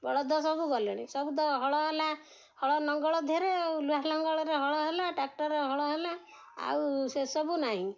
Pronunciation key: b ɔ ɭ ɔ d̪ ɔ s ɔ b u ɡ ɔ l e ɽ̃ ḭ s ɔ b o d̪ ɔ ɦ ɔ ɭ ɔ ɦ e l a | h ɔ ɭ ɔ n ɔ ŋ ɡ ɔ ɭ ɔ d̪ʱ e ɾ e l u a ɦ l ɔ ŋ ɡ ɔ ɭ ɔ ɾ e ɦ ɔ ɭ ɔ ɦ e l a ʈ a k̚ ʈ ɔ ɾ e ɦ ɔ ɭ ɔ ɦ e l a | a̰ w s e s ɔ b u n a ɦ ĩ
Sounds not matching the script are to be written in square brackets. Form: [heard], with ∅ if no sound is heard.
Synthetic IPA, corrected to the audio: b ɔ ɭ ɔ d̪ ɔ s ɔ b u ɡ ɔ l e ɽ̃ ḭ s ɔ b [u] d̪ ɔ ɦ ɔ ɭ ɔ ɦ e l a | h ɔ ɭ ɔ n ɔ ŋ ɡ ɔ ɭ ɔ d̪ʱ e ɾ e l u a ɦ l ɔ ŋ ɡ ɔ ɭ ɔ ɾ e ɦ ɔ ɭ ɔ ɦ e l a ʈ a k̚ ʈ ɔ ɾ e ɦ ɔ ɭ ɔ ɦ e l a | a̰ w s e s ɔ b u n a ɦ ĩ